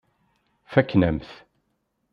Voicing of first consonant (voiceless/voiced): voiceless